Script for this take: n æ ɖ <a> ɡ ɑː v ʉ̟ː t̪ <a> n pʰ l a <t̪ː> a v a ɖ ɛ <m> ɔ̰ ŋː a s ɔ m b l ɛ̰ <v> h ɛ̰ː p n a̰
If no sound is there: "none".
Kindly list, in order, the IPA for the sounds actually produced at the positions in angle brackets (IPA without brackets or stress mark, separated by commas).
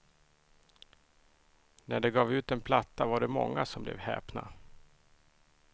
ɛ, ɛ, t̪ː, m, v